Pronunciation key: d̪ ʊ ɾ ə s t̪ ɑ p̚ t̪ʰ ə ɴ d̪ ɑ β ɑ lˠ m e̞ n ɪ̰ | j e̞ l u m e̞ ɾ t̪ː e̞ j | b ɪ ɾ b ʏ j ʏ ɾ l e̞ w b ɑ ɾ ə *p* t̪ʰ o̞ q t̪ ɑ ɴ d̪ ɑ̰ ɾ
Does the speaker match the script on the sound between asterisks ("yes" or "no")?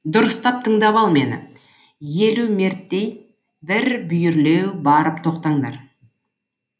yes